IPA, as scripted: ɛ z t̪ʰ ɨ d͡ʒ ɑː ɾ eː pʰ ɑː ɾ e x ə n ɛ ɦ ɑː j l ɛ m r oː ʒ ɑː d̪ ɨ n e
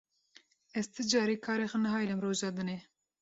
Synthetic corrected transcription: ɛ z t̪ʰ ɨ d͡ʒ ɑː ɾ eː kʰ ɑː ɾ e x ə n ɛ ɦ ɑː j l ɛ m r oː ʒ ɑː d̪ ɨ n e